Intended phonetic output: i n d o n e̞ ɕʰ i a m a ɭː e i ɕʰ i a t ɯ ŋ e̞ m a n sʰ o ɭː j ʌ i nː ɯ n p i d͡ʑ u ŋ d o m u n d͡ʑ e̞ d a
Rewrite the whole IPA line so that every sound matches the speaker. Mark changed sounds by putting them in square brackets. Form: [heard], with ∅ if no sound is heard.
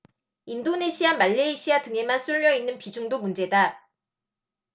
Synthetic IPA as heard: i n d o n e̞ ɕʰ i a m a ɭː e i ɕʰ i a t ɯ ŋ e̞ m a n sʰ [u] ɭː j ʌ i nː ɯ n p i d͡ʑ u ŋ d o m u n d͡ʑ e̞ d a